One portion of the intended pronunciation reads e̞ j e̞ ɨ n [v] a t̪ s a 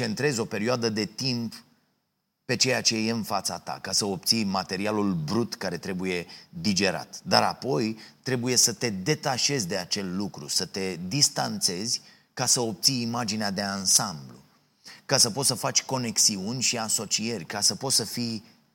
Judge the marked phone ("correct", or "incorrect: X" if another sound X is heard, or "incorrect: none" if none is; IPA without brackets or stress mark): incorrect: f